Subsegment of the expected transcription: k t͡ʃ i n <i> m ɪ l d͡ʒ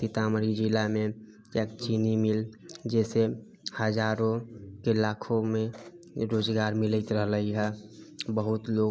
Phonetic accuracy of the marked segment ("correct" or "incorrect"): correct